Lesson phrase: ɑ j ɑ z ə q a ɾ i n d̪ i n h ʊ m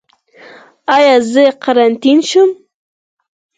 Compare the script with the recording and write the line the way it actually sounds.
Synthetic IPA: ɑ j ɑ z ə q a ɾ a n t̪ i n ʃ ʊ m